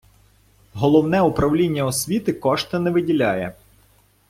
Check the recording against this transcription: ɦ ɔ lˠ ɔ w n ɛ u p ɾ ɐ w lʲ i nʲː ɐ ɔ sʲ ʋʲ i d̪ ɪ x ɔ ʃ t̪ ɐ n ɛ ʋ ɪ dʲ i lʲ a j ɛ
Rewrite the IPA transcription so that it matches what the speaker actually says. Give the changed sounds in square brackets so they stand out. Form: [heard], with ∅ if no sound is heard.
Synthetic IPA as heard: ɦ ɔ lˠ ɔ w n ɛ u p ɾ ɐ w lʲ i nʲː ɐ ɔ sʲ ʋʲ i [t̪] ɪ [k] ɔ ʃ t̪ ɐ n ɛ ʋ ɪ dʲ i lʲ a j ɛ